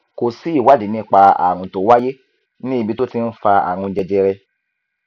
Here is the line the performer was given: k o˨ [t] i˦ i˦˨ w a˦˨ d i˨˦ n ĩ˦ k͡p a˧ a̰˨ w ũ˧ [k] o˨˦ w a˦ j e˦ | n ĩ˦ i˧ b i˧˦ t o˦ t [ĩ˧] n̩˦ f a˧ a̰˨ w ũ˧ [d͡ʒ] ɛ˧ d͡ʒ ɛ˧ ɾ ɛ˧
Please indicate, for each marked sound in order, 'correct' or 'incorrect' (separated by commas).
incorrect, incorrect, incorrect, correct